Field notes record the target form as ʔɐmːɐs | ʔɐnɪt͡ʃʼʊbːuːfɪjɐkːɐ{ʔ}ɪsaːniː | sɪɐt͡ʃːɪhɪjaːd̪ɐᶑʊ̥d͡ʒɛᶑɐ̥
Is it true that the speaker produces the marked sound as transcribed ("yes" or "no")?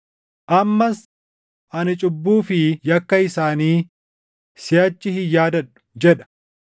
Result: no